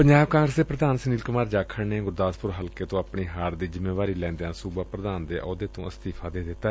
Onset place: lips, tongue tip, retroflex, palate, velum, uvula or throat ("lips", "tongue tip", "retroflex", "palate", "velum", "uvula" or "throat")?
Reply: lips